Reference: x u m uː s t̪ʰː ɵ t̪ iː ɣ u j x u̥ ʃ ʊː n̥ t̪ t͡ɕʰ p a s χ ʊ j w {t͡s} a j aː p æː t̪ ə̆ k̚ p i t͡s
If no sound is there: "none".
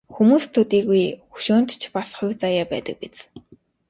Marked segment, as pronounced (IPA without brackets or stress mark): t͡s